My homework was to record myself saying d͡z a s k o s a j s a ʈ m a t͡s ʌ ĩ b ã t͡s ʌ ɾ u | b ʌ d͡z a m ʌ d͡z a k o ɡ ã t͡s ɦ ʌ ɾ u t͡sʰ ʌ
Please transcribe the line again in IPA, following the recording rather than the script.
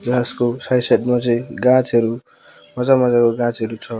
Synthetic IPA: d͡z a s k o s a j s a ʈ m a t͡s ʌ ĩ ɡ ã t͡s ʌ ɾ u | m ʌ d͡z a m ʌ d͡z a k o ɡ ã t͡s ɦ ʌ ɾ u t͡sʰ ʌ